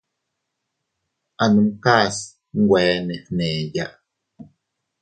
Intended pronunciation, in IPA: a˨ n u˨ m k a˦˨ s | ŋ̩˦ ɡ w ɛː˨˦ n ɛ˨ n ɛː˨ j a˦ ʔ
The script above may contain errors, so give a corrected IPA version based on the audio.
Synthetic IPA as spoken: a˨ n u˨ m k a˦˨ s | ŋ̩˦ ɡ w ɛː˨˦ n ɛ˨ n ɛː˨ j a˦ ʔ